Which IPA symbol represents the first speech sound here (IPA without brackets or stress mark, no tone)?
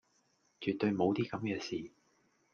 t͡ʃ